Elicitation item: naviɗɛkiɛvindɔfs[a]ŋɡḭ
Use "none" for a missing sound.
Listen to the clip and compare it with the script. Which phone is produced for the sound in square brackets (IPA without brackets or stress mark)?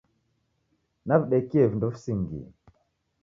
i